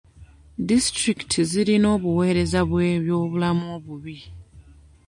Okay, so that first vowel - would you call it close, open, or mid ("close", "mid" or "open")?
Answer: close